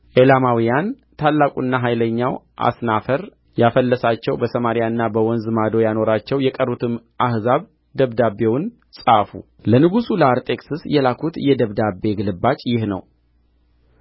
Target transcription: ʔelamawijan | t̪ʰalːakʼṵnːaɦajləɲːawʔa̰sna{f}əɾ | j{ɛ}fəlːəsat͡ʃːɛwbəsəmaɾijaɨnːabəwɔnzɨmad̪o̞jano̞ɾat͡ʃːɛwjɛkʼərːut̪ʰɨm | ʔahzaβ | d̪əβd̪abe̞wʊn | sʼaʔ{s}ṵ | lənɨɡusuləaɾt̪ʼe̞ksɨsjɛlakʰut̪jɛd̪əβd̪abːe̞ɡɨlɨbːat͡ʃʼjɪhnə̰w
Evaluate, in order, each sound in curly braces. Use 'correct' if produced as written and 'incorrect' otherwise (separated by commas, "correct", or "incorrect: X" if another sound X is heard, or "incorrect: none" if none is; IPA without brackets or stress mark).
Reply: correct, incorrect: a, incorrect: f